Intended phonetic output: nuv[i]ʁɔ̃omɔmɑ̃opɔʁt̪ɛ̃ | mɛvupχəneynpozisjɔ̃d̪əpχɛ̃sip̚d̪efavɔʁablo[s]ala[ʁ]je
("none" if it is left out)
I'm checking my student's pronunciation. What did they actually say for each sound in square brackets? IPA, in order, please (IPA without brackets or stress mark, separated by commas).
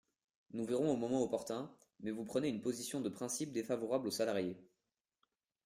i, s, ʁ